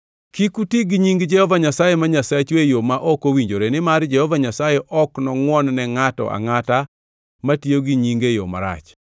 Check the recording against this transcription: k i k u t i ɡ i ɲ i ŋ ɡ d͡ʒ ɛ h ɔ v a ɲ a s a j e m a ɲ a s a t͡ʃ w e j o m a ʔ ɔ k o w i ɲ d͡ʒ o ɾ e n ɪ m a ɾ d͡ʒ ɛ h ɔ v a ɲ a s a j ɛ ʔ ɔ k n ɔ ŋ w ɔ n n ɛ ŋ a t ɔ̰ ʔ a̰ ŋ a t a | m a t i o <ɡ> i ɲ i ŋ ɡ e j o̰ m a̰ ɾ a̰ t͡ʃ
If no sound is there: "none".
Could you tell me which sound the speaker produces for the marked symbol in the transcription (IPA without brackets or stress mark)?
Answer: ɡ